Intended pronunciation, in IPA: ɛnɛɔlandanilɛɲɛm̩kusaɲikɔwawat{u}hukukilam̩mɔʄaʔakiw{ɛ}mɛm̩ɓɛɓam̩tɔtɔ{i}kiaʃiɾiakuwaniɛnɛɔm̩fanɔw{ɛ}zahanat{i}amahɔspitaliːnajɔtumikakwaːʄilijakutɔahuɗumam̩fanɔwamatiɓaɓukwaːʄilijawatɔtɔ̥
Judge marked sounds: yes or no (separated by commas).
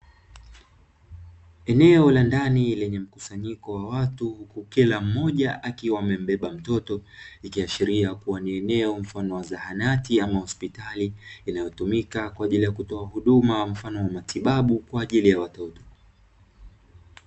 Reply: yes, no, yes, no, yes